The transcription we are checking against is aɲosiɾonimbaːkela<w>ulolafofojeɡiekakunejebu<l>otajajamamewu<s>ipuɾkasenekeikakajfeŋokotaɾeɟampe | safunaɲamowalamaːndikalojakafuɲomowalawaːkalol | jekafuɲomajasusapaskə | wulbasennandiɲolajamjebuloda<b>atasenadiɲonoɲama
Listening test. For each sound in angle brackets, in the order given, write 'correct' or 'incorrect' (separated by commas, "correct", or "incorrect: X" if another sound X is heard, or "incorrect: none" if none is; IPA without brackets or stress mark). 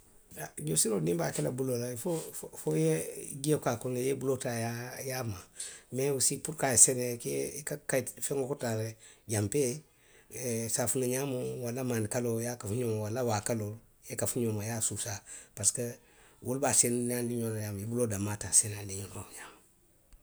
incorrect: b, correct, correct, incorrect: m